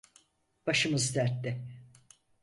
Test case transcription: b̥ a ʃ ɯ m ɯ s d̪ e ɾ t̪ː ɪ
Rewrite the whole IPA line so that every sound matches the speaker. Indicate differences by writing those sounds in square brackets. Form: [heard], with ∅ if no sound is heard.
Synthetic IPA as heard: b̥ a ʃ ɯ m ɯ [z] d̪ [æ] ɾ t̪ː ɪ